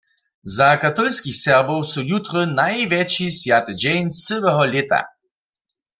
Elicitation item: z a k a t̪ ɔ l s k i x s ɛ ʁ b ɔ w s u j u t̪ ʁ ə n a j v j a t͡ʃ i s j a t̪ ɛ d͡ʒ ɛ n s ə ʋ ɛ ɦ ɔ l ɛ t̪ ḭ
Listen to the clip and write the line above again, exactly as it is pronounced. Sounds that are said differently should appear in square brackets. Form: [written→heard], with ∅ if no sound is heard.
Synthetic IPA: z a k a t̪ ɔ l s k i x s ɛ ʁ b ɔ w s u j u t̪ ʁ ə n a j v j [a→ɛ] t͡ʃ i s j a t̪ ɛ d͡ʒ ɛ n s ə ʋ ɛ ɦ ɔ l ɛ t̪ [ḭ→a̰]